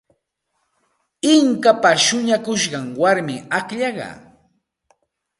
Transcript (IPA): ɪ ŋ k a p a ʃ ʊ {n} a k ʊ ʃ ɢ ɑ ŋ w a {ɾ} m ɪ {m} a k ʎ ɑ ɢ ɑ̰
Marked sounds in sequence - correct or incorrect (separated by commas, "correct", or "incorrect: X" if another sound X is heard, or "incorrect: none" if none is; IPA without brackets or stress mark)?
incorrect: ɲ, correct, incorrect: none